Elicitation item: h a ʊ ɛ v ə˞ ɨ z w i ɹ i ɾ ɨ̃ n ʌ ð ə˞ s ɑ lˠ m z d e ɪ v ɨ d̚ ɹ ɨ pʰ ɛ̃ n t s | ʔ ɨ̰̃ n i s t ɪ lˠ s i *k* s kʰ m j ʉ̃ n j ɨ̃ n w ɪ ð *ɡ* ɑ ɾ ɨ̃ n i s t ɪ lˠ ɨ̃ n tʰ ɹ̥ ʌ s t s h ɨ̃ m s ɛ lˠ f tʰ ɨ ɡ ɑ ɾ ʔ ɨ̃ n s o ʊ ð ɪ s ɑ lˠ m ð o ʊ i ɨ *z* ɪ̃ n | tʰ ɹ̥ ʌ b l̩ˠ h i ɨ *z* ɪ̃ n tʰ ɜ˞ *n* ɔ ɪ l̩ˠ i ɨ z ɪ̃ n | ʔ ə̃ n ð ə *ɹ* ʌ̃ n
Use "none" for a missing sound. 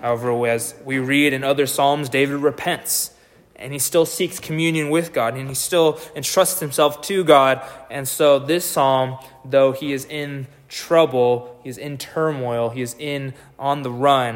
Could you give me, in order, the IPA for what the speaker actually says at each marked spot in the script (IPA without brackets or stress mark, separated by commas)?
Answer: k, ɡ, z, z, m, ɹ